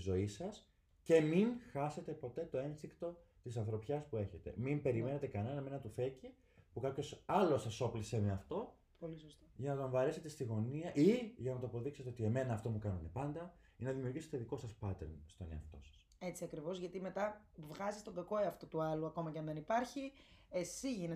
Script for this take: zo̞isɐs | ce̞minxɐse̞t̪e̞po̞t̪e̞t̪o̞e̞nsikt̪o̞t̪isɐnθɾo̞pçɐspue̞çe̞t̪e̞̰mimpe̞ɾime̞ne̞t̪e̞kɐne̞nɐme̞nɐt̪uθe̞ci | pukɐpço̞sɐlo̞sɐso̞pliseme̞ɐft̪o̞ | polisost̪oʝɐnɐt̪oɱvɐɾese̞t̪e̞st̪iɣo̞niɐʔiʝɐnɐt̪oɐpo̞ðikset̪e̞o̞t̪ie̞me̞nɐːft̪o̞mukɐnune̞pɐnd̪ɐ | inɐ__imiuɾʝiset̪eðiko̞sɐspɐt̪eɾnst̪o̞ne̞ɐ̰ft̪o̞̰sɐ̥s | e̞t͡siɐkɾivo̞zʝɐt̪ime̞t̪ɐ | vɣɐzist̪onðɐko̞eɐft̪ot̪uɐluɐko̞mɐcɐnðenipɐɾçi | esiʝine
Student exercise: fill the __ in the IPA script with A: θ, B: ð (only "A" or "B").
B